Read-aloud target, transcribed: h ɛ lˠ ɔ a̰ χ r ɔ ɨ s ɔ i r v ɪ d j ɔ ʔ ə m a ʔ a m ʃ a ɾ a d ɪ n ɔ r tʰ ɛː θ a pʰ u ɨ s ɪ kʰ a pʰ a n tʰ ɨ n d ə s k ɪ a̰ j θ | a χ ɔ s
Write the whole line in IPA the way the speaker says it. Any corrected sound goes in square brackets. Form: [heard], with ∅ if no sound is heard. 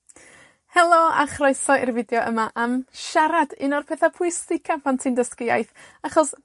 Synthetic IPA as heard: h ɛ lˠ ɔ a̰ χ r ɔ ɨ s ɔ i r v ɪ d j ɔ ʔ ə m a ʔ a m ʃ a ɾ a d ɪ n ɔ r [pʰ] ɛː θ a pʰ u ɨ s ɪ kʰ a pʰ a n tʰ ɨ n d ə s k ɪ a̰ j θ | a χ ɔ s